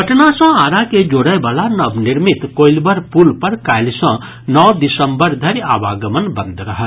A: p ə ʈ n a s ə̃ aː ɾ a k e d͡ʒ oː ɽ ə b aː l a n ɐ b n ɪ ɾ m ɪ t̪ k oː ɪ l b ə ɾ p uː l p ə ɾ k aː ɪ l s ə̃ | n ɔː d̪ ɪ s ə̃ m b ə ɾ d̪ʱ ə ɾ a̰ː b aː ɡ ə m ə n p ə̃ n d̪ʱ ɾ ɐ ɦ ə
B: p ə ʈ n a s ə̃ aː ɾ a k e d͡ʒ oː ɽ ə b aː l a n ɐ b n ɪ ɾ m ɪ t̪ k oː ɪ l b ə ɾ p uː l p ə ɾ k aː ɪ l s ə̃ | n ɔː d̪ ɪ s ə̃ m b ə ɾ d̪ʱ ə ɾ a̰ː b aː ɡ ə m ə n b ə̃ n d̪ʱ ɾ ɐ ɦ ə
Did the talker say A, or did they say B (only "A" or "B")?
B